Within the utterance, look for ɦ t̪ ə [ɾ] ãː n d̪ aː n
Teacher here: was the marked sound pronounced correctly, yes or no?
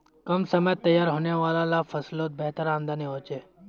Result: yes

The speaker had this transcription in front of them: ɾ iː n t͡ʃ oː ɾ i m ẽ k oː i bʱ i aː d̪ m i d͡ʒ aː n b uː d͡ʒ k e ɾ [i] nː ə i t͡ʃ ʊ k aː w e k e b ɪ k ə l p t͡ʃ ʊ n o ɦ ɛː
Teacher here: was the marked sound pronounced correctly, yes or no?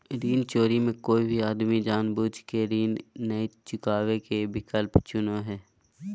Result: no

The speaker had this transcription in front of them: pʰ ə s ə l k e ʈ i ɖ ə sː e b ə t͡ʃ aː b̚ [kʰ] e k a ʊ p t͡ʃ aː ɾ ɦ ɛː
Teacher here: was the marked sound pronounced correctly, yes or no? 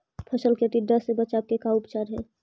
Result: no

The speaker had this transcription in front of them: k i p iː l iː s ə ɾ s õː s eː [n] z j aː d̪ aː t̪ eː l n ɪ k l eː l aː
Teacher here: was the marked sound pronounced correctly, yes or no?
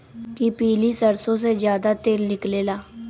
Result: no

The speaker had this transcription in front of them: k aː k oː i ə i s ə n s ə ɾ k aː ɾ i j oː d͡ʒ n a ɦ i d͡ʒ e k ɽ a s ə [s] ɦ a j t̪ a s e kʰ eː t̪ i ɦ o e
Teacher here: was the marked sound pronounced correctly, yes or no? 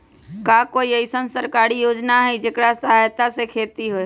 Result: no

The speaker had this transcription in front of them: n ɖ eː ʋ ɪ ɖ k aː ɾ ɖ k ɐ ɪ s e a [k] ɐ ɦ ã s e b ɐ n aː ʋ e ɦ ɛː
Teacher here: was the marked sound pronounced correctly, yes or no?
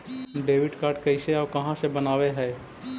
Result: yes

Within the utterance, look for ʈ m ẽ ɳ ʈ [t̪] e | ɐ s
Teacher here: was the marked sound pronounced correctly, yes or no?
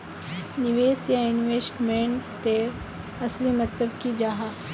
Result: yes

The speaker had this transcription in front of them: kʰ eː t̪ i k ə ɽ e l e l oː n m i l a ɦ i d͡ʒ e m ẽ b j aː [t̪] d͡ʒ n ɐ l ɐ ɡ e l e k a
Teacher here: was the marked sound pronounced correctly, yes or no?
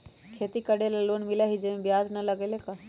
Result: no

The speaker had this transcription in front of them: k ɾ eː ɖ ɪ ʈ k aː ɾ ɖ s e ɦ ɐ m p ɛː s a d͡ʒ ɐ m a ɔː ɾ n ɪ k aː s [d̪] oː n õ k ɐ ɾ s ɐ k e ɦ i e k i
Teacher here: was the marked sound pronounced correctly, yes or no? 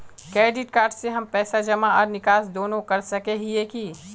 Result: yes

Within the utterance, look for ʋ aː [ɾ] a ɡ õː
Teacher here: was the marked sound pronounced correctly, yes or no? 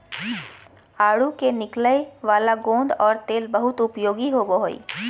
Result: no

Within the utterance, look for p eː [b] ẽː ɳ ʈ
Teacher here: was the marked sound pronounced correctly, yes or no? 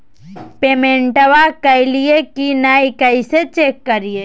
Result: no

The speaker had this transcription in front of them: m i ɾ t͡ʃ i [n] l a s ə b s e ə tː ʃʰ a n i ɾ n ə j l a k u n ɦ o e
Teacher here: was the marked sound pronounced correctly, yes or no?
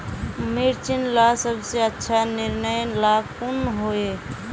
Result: yes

